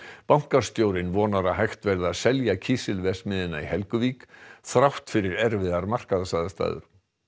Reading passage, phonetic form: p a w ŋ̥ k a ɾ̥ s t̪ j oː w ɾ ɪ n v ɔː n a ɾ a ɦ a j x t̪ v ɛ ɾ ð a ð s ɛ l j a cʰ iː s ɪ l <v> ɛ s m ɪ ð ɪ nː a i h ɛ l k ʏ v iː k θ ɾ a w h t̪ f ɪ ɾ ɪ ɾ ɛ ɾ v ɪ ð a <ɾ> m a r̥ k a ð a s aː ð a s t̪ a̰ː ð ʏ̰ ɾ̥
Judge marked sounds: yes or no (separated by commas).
yes, yes